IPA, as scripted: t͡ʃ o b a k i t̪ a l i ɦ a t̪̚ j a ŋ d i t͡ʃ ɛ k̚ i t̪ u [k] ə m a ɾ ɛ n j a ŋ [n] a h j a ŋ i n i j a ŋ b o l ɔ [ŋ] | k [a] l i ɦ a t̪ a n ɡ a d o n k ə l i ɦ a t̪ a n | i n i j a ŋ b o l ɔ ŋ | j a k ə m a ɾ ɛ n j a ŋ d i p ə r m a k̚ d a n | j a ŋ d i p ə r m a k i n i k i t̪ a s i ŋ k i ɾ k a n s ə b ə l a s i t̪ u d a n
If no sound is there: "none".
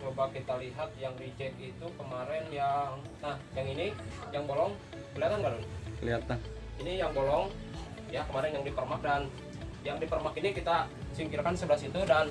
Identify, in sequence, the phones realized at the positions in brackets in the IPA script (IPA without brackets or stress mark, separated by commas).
k, n, ŋ, ə